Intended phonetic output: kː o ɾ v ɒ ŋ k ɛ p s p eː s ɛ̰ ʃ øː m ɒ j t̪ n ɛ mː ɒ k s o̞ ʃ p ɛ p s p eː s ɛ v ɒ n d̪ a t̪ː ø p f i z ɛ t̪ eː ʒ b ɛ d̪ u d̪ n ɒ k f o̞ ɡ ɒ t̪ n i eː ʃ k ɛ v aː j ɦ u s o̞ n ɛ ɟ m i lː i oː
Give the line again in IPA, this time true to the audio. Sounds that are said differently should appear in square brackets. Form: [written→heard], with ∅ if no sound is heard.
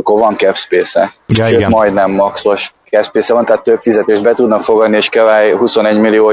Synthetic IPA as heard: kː o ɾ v ɒ ŋ k ɛ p s p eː s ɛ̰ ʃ øː m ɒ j [t̪→d̪] n ɛ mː ɒ k s o̞ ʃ [p→k] ɛ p s p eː s ɛ v ɒ n [d̪→t̪] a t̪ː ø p f i z ɛ t̪ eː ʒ b ɛ [d̪→t̪] u d̪ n ɒ k f o̞ ɡ ɒ [t̪→d̪] n i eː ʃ k ɛ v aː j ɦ u s o̞ n ɛ ɟ m i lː i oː